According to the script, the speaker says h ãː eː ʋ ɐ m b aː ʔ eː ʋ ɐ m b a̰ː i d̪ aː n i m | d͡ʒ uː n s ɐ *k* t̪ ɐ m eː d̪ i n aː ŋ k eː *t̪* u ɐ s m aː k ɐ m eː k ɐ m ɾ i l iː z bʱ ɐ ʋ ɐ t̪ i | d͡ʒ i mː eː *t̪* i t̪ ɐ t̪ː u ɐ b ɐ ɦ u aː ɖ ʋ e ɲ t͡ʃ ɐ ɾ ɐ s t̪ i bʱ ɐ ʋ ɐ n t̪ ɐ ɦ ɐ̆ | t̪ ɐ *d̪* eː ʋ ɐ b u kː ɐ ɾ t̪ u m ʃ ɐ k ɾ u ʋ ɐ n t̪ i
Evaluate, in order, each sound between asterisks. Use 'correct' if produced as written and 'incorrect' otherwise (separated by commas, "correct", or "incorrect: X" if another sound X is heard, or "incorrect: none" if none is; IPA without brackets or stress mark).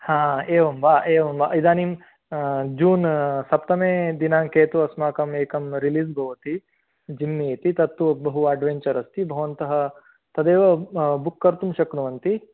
incorrect: p, correct, correct, correct